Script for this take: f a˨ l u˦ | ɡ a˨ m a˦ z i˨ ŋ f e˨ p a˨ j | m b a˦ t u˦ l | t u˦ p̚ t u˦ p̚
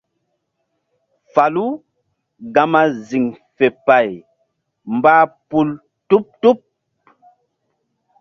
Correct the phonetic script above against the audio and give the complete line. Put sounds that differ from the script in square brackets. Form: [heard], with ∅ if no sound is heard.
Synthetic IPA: f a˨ l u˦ | ɡ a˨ m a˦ z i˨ ŋ f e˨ p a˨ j | m b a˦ [p] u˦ l | t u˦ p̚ t u˦ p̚